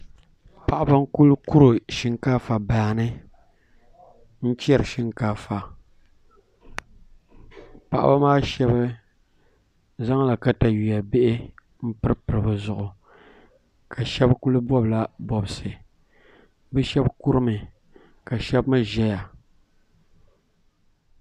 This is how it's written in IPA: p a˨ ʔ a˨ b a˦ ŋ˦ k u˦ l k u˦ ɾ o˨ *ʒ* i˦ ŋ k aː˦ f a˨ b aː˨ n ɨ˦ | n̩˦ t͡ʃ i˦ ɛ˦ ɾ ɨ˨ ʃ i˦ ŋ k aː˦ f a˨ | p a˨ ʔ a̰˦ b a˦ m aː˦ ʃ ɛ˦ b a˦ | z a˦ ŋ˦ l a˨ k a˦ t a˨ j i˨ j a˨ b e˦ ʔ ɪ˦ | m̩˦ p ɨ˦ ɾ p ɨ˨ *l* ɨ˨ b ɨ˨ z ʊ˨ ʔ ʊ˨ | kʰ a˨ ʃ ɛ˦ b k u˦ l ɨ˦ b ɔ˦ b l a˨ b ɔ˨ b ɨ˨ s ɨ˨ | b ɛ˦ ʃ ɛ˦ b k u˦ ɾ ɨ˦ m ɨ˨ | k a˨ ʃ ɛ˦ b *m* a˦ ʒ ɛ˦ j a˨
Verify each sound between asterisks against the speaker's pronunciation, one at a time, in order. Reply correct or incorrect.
incorrect, incorrect, correct

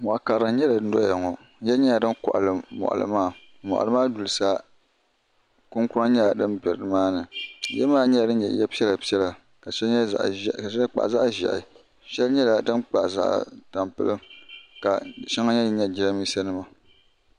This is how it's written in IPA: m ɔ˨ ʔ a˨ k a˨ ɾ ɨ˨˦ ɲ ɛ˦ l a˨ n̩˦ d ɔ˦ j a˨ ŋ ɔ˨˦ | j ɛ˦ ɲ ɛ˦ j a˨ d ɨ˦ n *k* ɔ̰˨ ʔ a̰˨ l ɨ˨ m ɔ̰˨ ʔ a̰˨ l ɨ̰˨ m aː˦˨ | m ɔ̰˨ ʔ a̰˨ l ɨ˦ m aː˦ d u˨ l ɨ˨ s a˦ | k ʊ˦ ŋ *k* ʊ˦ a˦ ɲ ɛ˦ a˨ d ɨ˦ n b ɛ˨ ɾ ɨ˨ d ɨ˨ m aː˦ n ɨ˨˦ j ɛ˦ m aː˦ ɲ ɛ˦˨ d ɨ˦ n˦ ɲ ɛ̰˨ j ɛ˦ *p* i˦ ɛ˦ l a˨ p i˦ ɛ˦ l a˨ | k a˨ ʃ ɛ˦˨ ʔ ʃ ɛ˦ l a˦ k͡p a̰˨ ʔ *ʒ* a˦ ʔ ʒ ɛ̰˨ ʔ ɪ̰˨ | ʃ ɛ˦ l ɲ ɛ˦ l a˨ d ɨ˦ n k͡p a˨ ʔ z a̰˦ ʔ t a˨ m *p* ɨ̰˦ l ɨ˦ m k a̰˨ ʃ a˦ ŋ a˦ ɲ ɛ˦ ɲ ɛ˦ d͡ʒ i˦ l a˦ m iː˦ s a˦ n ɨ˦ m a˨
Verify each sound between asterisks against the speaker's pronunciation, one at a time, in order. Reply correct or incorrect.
correct, correct, correct, incorrect, correct

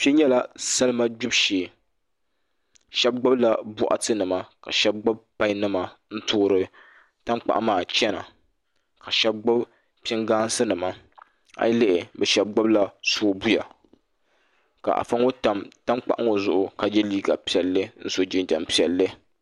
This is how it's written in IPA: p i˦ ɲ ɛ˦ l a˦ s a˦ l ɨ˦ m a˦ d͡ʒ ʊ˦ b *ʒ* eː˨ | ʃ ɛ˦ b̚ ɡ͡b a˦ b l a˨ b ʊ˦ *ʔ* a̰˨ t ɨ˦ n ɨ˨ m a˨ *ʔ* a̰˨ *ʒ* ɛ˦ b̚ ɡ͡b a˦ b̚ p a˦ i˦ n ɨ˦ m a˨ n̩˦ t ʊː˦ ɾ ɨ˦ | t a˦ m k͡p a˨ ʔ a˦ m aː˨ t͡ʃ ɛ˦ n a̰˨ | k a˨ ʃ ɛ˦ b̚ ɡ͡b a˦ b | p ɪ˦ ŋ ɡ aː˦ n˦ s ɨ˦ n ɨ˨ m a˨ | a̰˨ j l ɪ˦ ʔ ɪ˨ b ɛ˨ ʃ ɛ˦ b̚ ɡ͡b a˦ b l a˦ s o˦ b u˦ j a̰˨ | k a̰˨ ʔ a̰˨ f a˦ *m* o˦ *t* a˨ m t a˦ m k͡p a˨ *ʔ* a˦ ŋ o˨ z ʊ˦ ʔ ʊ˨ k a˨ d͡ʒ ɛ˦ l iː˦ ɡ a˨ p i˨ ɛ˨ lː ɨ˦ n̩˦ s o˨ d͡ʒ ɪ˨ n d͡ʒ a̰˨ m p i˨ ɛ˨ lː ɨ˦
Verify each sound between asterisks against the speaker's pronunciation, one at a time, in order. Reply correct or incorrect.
incorrect, correct, incorrect, incorrect, incorrect, correct, correct

